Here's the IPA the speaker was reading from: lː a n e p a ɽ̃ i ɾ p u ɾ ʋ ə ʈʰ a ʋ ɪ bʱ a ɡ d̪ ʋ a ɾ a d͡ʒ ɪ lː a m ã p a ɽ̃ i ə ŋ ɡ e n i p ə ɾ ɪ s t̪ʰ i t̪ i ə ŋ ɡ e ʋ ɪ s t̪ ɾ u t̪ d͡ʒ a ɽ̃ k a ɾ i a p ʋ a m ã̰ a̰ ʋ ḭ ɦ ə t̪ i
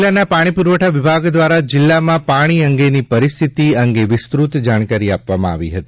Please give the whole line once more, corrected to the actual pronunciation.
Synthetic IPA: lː a n a p a ɽ̃ i p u ɾ ʋ ə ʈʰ a ʋ ɪ bʱ a ɡ d̪ ʋ a ɾ a d͡ʒ ɪ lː a m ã p a ɽ̃ i ə ŋ ɡ e n i p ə ɾ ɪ s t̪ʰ i t̪ i ə ŋ ɡ e ʋ ɪ s t̪ ɾ u t̪ d͡ʒ a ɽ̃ k a ɾ i a p ʋ a m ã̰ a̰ ʋ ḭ ɦ ə t̪ i